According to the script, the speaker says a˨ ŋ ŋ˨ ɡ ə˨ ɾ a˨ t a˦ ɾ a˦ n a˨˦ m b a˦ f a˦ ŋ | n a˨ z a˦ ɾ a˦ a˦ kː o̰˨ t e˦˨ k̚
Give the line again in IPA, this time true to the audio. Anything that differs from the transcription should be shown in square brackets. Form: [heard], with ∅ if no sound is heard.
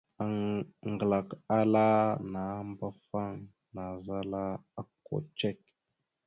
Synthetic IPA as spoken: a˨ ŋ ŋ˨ ɡ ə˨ [l] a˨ [k] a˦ [l] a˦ n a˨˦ m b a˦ f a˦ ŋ | n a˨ z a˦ [l] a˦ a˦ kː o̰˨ [t͡ʃ] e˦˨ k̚